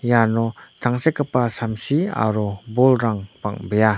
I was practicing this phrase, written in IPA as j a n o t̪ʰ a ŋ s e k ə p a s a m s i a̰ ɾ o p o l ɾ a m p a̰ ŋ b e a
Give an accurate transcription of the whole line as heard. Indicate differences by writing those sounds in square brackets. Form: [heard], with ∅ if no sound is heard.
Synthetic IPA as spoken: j a n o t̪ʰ a ŋ s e k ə p a s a m s i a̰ ɾ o [b] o l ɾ a [ŋ] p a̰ ŋ b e a